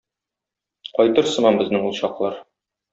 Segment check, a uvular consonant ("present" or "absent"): present